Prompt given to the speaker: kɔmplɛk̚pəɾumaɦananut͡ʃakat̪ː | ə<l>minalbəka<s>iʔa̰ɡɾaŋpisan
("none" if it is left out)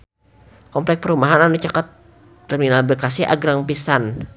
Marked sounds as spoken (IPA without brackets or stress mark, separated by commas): r, s